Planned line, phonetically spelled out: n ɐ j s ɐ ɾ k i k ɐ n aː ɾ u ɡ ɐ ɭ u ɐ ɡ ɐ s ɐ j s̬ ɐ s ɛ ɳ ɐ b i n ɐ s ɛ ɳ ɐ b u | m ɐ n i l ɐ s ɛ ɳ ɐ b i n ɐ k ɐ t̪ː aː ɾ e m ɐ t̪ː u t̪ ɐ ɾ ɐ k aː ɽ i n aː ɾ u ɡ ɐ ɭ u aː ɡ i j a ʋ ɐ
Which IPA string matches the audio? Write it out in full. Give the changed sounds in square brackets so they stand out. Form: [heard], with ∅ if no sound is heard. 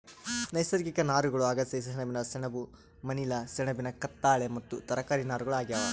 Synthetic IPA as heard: n ɐ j s ɐ ɾ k i k ɐ n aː ɾ u ɡ ɐ ɭ u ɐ ɡ ɐ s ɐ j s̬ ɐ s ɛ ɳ ɐ b i n ɐ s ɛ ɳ ɐ b u | m ɐ n i l ɐ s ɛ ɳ ɐ b i n ɐ k ɐ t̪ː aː [ɭ] e m ɐ t̪ː u t̪ ɐ ɾ ɐ k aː [ɾ] i n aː ɾ u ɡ ɐ ɭ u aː ɡ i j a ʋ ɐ